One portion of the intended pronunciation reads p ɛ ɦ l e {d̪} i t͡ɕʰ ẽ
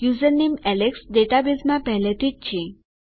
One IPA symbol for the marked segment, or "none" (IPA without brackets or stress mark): t̪